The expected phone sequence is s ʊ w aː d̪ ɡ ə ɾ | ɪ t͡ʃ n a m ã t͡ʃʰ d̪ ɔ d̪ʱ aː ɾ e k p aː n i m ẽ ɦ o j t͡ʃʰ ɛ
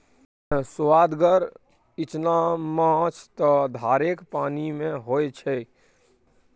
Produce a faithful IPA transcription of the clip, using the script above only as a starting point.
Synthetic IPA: s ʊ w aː d̪ ɡ ə ɾ | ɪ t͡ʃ n a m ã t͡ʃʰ t̪ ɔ d̪ʱ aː ɾ e k p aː n i m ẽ ɦ o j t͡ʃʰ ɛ